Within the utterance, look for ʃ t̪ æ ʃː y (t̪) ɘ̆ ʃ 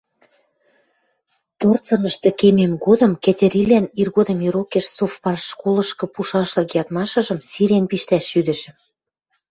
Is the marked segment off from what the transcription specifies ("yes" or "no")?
yes